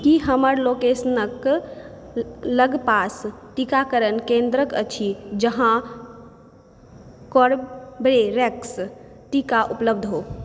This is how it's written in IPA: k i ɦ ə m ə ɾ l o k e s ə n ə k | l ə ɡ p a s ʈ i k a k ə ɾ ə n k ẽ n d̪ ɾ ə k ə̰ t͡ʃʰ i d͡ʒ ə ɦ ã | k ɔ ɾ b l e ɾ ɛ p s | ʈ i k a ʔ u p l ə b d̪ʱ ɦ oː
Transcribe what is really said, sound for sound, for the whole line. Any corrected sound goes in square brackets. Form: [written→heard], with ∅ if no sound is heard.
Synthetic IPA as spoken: k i ɦ ə m ə ɾ l o k e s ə n ə k | l ə ɡ p a s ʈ i k a k ə ɾ ə n k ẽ n d̪ ɾ ə k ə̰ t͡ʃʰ i d͡ʒ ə ɦ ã | k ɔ ɾ b [l→ɾ] e ɾ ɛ [p→k] s | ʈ i k a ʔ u p l ə b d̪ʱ ɦ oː